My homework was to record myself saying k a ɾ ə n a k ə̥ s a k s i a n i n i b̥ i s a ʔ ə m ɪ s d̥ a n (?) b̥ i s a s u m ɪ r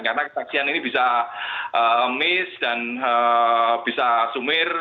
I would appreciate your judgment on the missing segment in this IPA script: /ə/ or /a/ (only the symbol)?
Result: ə